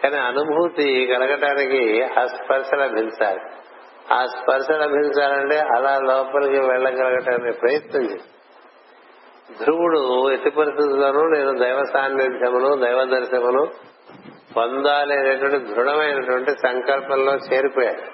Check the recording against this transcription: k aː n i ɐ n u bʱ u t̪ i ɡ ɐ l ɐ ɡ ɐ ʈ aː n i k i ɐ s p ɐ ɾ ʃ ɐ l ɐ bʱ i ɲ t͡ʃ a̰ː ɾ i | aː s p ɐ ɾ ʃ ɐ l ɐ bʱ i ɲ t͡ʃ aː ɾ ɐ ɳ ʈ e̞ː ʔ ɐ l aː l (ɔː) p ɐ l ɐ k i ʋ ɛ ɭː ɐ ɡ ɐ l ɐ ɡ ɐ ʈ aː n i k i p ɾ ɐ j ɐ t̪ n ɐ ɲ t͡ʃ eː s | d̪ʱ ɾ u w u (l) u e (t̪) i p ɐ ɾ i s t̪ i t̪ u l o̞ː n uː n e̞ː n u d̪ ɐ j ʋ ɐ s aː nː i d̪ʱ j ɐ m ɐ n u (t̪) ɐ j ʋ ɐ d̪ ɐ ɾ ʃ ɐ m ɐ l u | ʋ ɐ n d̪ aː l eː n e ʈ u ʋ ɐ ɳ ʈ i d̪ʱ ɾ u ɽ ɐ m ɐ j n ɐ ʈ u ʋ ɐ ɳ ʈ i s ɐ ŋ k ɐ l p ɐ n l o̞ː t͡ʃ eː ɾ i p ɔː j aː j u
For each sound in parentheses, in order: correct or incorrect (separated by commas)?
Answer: correct, incorrect, correct, incorrect